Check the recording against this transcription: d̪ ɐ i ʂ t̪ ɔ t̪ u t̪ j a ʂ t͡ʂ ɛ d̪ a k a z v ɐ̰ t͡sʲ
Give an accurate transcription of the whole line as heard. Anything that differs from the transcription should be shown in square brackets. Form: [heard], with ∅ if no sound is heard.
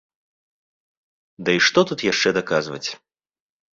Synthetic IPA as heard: d̪ ɐ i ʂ t̪ ɔ t̪ u t̪ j a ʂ t͡ʂ ɛ d̪ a k a z v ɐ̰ t͡sʲ